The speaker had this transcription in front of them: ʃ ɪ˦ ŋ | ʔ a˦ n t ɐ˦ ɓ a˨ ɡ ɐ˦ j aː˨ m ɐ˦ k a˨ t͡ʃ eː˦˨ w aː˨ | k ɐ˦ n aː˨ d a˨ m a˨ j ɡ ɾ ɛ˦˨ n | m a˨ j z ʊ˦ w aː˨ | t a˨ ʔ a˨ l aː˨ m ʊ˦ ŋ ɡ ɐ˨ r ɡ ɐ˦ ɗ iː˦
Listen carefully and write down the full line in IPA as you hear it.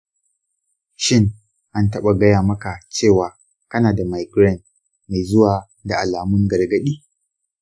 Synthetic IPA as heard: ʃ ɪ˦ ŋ | ʔ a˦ n t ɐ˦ ɓ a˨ ɡ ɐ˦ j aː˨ m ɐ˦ k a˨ t͡ʃ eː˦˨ w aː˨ | k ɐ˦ n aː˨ d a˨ m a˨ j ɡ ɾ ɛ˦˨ n | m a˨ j z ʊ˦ w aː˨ | d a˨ ʔ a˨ l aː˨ m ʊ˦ ŋ ɡ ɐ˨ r ɡ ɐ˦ ɗ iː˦